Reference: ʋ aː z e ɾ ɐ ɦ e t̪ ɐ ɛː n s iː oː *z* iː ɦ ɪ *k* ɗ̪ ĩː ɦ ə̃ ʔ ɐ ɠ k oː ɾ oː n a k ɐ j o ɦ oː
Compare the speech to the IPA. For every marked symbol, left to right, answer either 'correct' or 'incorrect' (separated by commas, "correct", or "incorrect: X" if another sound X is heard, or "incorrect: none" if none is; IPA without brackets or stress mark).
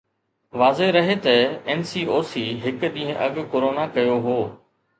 incorrect: s, correct